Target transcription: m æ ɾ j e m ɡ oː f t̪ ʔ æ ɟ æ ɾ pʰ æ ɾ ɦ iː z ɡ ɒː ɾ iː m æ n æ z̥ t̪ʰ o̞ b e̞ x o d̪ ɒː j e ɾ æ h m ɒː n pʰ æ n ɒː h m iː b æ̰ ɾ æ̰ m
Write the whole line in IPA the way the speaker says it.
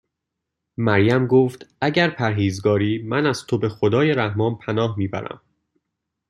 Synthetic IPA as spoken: m æ ɾ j æ m ɡ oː f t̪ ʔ æ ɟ æ ɾ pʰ æ ɾ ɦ iː z ɡ ɒː ɾ iː m æ n æ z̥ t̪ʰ o̞ b e̞ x o d̪ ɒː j e ɾ æ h m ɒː n pʰ æ n ɒː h m iː b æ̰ ɾ æ̰ m